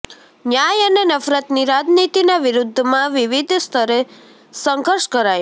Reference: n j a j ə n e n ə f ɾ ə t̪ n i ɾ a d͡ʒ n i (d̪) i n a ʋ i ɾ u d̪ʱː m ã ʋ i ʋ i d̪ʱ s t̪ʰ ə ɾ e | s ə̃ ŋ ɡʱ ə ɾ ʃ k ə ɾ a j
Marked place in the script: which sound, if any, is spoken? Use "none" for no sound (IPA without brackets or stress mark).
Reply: t̪